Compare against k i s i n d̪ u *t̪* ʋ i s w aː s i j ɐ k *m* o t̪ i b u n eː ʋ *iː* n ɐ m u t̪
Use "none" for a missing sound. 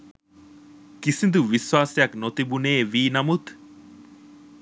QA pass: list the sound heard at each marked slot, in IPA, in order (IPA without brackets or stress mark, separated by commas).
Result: none, n, iː